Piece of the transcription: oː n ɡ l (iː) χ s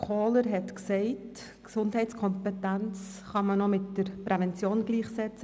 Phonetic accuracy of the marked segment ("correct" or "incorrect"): correct